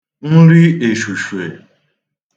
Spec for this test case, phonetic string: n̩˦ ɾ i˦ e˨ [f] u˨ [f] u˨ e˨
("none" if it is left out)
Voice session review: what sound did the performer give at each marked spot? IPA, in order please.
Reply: ʃ, ʃ

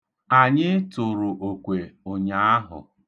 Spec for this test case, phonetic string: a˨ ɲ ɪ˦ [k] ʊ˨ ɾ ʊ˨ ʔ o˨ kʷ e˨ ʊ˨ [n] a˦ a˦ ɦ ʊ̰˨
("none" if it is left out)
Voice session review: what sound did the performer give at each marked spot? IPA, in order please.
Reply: t, ɲ

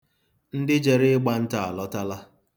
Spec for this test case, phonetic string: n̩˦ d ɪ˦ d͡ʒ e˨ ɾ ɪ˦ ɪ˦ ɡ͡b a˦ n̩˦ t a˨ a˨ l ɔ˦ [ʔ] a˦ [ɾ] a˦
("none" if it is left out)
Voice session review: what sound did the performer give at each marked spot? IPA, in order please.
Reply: t, l

